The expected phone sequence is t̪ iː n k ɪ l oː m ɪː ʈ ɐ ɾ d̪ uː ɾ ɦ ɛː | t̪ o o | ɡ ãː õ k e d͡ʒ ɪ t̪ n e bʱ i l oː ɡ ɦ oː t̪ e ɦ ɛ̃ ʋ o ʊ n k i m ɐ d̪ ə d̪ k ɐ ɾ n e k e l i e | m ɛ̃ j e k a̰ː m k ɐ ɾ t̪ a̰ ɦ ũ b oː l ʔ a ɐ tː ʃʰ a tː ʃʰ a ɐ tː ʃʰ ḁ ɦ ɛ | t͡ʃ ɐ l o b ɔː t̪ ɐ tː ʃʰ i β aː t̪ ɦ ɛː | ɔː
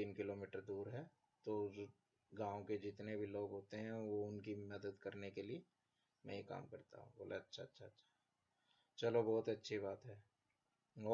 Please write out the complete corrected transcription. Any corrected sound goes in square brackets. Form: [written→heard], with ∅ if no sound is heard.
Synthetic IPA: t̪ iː n k ɪ l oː m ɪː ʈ [ɐ→ə] ɾ d̪ uː ɾ ɦ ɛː | t̪ o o | ɡ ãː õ k e d͡ʒ ɪ t̪ n e bʱ i l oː ɡ ɦ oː t̪ e ɦ ɛ̃ ʋ o ʊ n k i m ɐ d̪ ə d̪ k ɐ ɾ n e k e l i e | m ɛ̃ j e k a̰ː m k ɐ ɾ t̪ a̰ ɦ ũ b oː l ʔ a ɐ tː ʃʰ a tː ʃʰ a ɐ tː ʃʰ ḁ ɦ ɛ | t͡ʃ ɐ l o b ɔː t̪ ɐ tː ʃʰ i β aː t̪ ɦ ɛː | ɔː